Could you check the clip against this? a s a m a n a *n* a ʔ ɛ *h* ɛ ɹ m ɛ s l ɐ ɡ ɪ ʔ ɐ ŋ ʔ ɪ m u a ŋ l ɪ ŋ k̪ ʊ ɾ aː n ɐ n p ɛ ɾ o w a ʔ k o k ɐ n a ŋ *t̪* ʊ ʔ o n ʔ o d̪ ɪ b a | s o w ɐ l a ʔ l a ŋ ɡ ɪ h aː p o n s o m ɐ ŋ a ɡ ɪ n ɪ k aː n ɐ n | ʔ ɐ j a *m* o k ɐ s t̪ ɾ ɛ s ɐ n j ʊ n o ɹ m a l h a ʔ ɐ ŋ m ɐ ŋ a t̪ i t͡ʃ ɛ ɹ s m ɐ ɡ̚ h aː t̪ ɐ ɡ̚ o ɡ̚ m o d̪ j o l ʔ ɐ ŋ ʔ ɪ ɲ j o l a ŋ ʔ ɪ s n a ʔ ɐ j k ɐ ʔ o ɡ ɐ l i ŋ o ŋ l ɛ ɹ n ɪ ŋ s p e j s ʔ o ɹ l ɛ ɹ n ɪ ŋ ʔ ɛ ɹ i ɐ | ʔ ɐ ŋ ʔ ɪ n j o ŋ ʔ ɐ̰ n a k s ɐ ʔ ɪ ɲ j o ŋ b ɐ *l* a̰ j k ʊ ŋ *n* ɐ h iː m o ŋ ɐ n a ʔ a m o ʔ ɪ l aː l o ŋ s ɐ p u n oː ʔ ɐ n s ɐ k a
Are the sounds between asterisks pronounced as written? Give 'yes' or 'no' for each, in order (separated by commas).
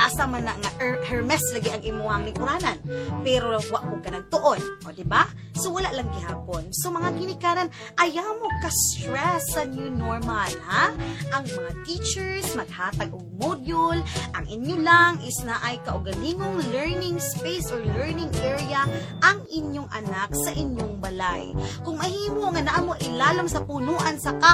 no, yes, yes, yes, yes, no